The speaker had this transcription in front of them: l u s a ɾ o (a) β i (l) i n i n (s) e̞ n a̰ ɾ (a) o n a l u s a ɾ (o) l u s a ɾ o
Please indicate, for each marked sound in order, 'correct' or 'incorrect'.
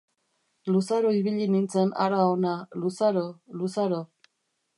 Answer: incorrect, incorrect, incorrect, correct, correct

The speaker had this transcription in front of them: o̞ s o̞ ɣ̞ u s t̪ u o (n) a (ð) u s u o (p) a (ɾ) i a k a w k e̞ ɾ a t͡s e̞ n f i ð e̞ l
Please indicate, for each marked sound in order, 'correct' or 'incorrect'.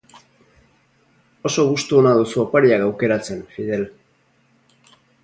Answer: correct, correct, correct, correct

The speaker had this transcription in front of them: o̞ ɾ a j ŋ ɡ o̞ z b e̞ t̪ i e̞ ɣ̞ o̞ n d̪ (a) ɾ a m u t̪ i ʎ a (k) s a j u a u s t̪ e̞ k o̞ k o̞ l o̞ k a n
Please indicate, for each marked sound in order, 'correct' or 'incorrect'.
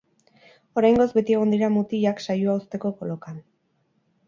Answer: incorrect, correct

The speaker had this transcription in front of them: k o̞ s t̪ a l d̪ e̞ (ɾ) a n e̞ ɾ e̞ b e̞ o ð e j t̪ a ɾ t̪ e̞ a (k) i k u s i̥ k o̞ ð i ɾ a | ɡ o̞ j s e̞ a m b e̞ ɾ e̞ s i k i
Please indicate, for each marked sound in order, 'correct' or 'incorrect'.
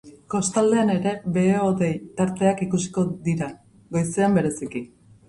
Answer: incorrect, correct

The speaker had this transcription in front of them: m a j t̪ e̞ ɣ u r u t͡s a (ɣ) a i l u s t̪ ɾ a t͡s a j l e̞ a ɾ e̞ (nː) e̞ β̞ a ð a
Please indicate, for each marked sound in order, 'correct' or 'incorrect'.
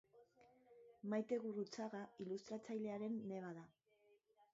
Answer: correct, correct

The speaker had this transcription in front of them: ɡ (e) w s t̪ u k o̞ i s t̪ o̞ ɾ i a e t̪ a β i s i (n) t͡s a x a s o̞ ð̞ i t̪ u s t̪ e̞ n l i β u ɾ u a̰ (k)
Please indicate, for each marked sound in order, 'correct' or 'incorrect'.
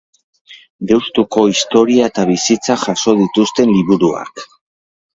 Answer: correct, incorrect, correct

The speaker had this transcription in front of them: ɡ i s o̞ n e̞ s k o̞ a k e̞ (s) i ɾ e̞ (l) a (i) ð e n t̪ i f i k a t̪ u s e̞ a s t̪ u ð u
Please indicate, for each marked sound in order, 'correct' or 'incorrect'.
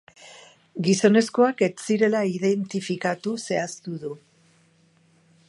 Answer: incorrect, correct, correct

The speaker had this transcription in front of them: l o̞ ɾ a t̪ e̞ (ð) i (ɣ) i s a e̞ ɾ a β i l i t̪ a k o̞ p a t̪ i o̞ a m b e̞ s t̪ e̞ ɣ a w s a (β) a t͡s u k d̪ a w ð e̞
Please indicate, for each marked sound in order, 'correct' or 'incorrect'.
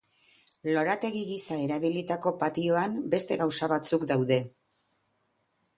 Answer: incorrect, correct, correct

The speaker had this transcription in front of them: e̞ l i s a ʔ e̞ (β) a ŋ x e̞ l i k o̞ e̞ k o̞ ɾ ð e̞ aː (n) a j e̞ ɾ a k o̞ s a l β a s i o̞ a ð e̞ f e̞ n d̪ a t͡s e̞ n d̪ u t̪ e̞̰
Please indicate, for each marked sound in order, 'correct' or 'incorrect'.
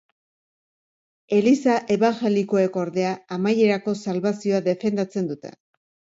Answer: correct, incorrect

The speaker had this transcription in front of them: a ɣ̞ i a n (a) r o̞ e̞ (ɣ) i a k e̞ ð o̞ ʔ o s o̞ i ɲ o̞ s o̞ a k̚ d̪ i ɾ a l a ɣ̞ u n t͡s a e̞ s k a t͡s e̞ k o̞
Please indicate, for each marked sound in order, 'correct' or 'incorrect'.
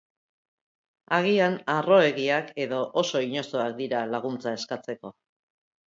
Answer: correct, correct

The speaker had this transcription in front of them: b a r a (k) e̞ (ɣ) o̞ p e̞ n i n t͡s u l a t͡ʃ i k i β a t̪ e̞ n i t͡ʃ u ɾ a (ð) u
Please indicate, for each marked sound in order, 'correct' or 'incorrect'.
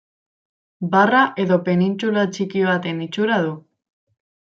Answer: incorrect, incorrect, correct

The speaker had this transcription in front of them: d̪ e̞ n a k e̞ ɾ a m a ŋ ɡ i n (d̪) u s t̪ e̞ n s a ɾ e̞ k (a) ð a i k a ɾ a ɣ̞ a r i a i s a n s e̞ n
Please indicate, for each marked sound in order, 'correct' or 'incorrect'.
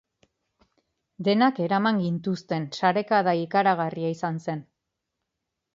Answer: incorrect, correct

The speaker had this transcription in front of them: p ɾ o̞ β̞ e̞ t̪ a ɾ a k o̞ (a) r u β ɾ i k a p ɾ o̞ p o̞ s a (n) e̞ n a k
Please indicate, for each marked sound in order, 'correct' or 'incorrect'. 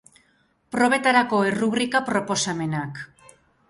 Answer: incorrect, incorrect

